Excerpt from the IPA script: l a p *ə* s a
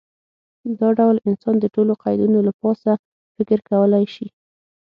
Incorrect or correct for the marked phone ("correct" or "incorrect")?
incorrect